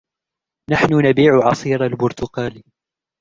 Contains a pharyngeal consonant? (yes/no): yes